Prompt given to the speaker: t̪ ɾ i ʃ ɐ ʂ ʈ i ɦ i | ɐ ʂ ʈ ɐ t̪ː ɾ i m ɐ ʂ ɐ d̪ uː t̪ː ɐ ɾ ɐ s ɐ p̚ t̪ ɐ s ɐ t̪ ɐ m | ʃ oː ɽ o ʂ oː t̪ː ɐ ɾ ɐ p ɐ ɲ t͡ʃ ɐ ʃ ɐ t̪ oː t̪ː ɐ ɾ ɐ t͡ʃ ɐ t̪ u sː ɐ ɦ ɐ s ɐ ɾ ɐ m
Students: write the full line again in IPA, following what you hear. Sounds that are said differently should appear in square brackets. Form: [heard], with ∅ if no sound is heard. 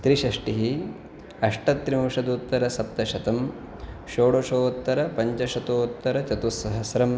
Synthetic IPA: t̪ ɾ i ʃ ɐ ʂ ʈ i ɦ i | ɐ ʂ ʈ ɐ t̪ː ɾ i m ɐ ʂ ɐ d̪ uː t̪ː ɐ ɾ ɐ s ɐ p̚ t̪ ɐ [ʃ] ɐ t̪ ɐ m | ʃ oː ɽ o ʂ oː t̪ː ɐ ɾ ɐ p ɐ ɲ t͡ʃ ɐ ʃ ɐ t̪ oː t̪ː ɐ ɾ ɐ t͡ʃ ɐ t̪ u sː ɐ ɦ ɐ s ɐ ɾ ɐ m